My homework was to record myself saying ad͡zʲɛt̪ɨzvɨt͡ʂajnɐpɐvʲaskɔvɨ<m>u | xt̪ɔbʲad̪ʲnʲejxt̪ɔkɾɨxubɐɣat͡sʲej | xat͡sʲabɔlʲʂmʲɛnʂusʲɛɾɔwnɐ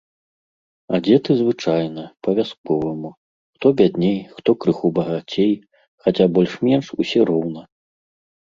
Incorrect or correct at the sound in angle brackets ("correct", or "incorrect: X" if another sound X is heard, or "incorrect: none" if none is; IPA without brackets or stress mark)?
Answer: correct